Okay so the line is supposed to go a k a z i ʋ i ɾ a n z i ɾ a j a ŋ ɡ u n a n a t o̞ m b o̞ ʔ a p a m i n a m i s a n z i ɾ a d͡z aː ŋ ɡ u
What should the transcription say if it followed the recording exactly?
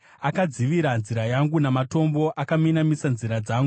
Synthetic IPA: a k a d͡z i ʋ i ɾ a n z i ɾ a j a ŋ ɡ u n a m a t o̞ m b o̞ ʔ a k a m i n a m i s a n z i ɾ a d͡z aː ŋ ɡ u